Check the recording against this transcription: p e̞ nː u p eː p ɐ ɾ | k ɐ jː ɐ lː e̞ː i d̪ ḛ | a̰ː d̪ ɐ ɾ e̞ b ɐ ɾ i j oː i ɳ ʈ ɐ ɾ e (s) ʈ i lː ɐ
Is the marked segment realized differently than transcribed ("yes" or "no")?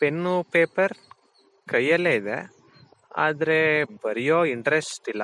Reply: no